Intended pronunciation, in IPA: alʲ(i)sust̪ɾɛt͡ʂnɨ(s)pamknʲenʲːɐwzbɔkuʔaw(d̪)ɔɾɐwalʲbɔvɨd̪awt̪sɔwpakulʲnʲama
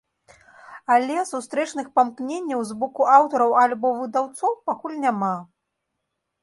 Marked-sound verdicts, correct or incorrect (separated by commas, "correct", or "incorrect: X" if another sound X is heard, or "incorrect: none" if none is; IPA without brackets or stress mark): incorrect: ɛ, incorrect: x, incorrect: t̪